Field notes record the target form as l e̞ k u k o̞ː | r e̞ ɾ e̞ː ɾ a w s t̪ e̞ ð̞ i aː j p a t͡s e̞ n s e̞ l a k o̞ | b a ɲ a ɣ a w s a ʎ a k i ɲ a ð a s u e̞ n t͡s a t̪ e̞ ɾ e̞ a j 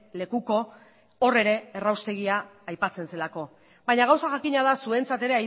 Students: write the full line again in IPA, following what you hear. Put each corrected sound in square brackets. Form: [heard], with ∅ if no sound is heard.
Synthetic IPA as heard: l e̞ k u k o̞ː | r e̞ ɾ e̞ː [r] a w s t̪ e̞ [ɣ̞] i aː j p a t͡s e̞ n s e̞ l a k o̞ | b a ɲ a ɣ a w s a [ʝ] a k i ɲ a ð a s u e̞ n t͡s a t̪ e̞ ɾ e̞ a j